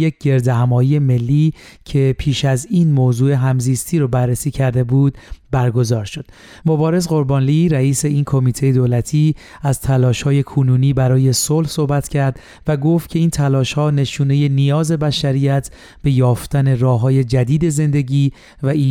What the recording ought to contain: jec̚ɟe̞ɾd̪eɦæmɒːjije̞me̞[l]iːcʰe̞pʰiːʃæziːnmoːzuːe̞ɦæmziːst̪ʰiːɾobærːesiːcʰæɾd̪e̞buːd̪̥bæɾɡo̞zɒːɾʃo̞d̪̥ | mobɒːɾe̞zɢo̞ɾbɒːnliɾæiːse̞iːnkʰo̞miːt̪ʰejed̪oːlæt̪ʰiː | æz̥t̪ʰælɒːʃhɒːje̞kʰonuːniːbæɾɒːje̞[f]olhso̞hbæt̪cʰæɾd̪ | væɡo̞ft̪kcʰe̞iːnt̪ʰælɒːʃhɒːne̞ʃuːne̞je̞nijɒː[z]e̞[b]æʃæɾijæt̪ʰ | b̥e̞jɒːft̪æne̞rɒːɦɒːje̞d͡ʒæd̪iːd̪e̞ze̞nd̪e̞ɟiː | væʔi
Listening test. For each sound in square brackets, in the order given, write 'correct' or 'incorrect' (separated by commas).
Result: incorrect, incorrect, correct, correct